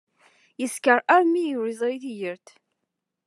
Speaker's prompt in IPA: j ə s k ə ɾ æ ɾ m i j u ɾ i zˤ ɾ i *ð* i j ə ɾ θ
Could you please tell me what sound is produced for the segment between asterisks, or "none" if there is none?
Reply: θ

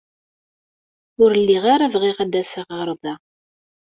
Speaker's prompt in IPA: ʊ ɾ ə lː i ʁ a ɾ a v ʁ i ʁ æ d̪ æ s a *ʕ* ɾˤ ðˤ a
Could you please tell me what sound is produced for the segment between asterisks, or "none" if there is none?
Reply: ʁ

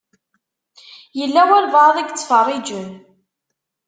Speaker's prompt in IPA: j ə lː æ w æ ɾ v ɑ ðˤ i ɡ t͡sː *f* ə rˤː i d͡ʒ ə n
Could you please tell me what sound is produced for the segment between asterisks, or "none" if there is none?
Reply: f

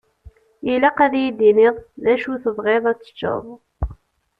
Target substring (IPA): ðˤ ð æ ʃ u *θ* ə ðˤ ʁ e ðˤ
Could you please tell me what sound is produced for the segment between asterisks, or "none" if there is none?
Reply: θ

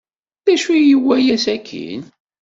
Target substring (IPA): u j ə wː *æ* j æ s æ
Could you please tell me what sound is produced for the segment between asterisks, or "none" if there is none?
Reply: æ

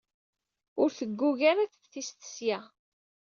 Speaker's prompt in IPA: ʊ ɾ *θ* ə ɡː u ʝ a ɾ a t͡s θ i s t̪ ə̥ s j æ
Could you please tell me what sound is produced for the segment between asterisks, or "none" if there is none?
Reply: θ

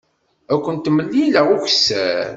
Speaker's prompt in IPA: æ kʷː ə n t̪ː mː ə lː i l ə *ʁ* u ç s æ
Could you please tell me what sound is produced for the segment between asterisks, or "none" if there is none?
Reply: ʁ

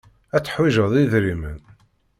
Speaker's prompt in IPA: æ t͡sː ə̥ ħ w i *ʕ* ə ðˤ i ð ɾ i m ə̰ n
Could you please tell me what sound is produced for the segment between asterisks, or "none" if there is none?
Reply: ʒ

